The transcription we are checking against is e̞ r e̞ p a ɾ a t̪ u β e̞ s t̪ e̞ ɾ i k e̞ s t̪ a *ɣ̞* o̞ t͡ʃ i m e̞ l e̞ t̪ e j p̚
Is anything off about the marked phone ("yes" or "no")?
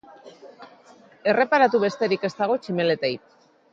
no